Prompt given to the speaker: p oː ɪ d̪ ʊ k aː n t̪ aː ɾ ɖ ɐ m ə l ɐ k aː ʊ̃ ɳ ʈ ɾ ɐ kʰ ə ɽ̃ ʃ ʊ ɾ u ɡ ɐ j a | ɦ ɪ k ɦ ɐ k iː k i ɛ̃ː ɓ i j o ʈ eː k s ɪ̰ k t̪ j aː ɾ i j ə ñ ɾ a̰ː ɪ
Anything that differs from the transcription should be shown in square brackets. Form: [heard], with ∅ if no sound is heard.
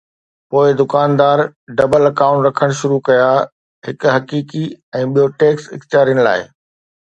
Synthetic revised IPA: p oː ɪ d̪ ʊ k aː n [d̪] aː ɾ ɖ ɐ [b] ə l ɐ k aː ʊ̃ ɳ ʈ ɾ ɐ kʰ ə ɽ̃ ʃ ʊ ɾ u [k] ɐ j a | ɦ ɪ k ɦ ɐ k iː k i ɛ̃ː ɓ i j o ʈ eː k s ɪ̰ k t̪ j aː ɾ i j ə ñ [l] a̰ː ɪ